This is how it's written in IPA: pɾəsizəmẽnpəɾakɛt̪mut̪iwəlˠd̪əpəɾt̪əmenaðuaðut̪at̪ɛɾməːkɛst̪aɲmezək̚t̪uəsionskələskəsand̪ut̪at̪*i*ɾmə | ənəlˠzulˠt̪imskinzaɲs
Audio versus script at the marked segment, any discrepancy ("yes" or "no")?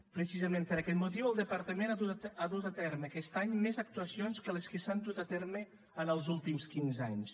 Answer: yes